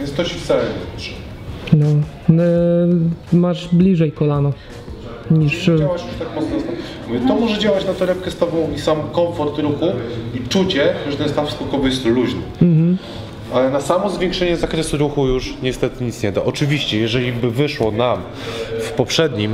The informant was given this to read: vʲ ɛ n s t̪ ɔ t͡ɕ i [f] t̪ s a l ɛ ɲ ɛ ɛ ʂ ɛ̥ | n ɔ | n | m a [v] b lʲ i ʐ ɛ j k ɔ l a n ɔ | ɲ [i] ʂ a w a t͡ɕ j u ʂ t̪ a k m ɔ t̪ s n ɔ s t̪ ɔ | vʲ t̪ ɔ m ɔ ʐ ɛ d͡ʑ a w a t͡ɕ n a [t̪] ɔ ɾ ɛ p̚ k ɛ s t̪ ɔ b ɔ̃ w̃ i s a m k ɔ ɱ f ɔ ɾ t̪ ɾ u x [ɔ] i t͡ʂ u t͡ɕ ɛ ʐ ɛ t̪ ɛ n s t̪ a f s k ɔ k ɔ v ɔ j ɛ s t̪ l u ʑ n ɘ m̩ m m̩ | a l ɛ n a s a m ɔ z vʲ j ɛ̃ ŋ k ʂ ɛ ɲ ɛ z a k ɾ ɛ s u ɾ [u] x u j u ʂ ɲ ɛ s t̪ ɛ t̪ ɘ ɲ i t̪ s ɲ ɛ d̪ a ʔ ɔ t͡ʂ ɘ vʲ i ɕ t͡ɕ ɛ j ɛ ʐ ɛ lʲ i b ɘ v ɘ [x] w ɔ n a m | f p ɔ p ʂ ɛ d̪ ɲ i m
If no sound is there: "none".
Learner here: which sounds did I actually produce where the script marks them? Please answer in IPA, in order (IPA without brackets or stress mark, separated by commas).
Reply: f, ʐ, i, t̪, u, u, ʂ